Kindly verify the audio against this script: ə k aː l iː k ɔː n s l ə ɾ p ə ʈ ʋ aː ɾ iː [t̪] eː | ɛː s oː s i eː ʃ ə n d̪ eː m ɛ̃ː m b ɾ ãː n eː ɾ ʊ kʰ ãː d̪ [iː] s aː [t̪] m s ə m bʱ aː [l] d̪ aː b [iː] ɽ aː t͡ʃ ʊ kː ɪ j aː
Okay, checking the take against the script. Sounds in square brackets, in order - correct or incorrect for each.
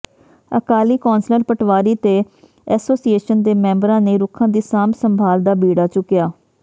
correct, correct, incorrect: none, correct, correct

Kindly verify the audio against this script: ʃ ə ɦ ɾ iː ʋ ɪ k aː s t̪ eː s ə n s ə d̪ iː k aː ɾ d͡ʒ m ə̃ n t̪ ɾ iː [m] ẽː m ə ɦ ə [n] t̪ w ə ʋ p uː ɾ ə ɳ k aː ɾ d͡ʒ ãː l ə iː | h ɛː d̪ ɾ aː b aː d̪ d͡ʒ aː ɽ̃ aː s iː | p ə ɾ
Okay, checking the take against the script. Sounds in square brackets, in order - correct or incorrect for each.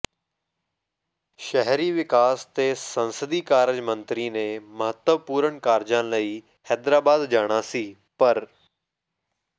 incorrect: n, incorrect: none

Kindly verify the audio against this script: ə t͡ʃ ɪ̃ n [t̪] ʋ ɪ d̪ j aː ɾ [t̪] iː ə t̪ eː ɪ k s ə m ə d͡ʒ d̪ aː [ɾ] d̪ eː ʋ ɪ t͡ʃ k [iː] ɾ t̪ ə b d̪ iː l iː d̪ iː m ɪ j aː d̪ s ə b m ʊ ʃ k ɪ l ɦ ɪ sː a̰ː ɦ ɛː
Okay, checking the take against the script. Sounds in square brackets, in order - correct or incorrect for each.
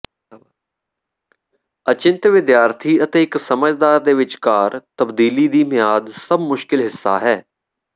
correct, incorrect: t̪ʰ, correct, incorrect: aː

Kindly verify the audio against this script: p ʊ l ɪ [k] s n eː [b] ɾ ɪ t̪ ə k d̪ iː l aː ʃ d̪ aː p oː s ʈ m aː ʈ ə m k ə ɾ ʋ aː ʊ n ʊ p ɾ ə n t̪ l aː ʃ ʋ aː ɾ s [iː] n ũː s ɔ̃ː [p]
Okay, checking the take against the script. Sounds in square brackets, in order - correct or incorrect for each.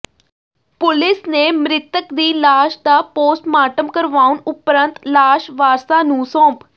incorrect: none, incorrect: m, incorrect: aː, correct

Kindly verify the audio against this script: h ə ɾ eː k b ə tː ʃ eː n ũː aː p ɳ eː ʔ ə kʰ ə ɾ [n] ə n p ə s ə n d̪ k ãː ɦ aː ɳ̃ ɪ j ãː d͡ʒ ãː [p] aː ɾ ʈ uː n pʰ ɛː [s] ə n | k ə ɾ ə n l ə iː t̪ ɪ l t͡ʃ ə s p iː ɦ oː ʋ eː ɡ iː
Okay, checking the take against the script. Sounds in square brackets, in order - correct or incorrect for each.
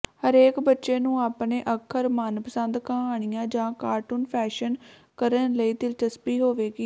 incorrect: m, incorrect: k, incorrect: ʃ

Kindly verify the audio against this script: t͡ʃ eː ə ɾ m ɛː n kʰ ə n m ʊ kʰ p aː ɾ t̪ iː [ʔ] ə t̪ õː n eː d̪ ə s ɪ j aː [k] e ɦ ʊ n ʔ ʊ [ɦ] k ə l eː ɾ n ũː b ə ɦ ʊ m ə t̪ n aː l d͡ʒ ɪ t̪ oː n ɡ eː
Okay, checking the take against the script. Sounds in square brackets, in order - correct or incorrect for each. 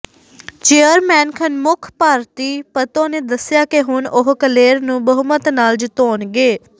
incorrect: p, correct, correct

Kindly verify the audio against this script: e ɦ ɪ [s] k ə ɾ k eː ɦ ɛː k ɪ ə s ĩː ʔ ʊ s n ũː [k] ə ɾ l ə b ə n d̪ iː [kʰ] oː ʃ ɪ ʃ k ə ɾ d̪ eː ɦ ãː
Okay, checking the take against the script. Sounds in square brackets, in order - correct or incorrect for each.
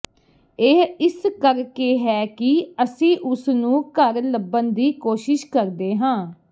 correct, correct, incorrect: k

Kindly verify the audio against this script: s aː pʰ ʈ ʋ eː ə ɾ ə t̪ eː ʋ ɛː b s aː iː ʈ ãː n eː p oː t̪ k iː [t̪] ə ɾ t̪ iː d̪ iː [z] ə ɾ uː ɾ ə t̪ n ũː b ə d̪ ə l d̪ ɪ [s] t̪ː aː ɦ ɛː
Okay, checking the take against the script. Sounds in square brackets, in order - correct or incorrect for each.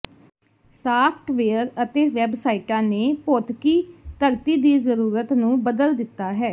correct, correct, incorrect: none

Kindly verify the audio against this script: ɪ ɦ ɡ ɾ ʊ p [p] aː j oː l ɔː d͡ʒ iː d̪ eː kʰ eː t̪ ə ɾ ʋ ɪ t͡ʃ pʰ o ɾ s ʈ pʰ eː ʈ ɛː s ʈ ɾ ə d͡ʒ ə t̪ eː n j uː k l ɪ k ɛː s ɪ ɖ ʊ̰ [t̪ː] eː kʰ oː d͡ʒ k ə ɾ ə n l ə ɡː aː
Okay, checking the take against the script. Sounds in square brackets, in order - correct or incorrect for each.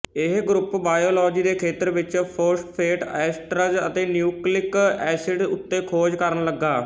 incorrect: b, correct

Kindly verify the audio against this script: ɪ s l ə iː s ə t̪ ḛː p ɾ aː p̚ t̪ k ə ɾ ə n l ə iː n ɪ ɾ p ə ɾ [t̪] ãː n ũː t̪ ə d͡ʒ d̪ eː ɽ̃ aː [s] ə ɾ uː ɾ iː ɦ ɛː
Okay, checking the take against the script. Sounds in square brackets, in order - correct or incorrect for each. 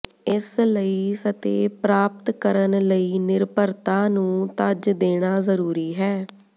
correct, incorrect: z

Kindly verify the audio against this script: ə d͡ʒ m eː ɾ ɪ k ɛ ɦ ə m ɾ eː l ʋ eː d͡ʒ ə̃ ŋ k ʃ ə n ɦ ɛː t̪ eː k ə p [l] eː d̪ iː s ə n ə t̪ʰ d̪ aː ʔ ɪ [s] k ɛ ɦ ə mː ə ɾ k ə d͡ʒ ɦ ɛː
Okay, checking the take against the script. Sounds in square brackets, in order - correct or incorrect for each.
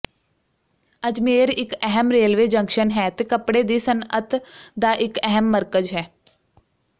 incorrect: ɽ, incorrect: none

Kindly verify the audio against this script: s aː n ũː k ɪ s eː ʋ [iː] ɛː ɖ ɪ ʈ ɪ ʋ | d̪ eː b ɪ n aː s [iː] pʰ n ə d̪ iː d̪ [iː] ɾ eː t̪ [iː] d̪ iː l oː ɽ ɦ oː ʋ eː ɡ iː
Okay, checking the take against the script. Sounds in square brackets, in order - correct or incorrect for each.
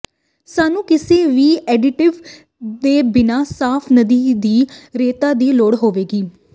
correct, incorrect: aː, correct, incorrect: aː

